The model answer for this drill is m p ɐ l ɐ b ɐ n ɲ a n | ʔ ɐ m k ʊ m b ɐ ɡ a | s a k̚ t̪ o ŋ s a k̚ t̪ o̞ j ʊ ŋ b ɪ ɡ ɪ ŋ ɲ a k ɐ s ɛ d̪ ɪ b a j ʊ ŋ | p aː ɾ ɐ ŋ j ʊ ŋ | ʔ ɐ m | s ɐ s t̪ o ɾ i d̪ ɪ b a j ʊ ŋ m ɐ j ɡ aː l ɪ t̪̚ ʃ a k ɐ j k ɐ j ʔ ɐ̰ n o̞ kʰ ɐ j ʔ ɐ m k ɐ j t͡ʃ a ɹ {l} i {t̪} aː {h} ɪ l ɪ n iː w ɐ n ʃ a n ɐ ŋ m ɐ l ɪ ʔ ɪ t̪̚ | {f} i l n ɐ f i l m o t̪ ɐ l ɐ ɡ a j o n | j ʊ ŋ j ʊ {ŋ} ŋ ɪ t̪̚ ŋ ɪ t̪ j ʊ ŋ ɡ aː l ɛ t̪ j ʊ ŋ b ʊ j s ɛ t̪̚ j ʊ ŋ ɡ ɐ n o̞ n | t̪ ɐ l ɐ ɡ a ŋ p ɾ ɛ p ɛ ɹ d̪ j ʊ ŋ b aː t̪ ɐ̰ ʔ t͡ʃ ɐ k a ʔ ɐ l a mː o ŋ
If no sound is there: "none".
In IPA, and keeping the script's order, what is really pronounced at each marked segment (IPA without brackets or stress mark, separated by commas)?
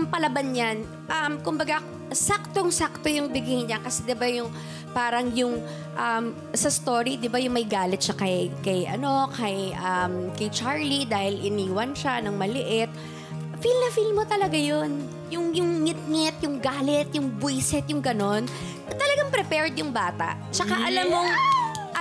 l, d̪, h, f, ŋ